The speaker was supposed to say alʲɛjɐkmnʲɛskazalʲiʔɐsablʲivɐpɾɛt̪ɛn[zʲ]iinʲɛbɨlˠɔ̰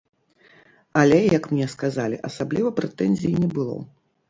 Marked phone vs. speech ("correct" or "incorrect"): correct